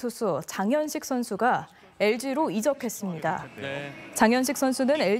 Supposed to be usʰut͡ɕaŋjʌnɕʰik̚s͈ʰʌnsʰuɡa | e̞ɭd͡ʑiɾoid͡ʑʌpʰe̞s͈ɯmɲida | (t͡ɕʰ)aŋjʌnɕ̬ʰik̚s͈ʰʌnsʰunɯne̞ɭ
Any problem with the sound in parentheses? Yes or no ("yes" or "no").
yes